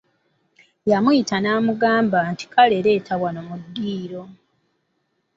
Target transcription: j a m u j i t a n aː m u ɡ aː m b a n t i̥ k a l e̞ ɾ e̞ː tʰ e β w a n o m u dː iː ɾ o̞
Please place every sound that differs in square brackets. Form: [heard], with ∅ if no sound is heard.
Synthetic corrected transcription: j a m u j i t a n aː m u ɡ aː m b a n t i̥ k a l e̞ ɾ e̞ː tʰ [a] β w a n o m u dː iː ɾ o̞